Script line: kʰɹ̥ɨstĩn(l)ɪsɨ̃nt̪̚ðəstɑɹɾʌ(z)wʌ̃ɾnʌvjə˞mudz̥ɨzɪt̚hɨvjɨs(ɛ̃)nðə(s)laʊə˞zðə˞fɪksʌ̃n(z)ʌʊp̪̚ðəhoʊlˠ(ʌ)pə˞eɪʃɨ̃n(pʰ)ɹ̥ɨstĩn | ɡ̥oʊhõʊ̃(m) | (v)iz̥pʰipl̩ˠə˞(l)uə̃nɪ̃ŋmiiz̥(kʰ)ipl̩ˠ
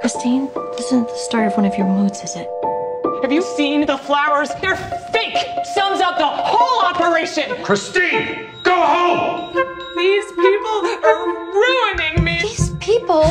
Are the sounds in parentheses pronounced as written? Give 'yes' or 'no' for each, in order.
yes, no, no, no, yes, no, no, yes, no, no, no

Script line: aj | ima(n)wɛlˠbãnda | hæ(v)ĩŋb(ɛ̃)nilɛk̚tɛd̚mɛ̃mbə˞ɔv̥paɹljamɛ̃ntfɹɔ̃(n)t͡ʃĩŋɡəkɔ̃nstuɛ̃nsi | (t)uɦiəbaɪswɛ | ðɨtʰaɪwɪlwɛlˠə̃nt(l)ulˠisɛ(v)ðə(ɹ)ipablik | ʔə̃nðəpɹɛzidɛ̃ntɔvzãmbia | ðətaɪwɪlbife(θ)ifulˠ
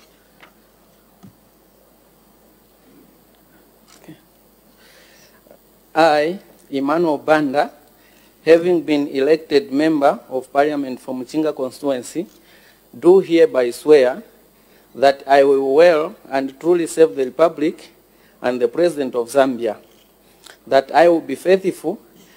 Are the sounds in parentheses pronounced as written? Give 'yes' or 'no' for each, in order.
yes, yes, no, no, no, no, yes, yes, yes

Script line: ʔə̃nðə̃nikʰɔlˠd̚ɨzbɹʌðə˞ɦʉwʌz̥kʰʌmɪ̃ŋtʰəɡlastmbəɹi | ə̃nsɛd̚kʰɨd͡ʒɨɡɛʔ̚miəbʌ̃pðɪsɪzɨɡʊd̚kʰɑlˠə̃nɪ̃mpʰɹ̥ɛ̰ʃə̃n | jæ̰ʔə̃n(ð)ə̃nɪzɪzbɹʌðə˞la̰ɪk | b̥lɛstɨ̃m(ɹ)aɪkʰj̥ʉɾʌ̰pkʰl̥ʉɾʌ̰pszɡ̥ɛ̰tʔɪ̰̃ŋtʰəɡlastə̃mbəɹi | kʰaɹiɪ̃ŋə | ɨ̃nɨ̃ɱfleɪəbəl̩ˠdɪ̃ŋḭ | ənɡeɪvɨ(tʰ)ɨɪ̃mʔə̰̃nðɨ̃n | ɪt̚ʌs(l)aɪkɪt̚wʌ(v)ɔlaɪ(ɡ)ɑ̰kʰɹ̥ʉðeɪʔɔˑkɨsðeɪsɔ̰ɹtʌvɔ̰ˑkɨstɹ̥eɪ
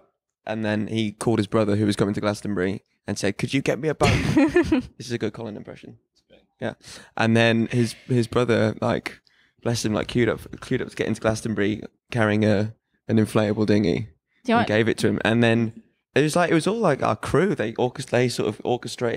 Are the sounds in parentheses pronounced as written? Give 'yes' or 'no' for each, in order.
yes, no, yes, yes, no, no

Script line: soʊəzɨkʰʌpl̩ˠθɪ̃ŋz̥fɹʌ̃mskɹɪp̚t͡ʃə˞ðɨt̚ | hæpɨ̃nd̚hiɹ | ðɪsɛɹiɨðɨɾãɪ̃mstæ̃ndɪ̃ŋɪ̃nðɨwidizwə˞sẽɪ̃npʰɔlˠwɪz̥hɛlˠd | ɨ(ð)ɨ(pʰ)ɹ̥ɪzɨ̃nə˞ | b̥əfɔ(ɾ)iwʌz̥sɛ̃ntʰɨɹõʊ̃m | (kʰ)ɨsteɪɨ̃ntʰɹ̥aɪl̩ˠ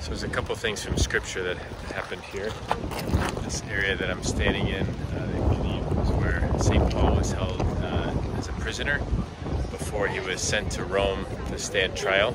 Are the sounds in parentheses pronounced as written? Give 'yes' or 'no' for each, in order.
no, yes, no, no

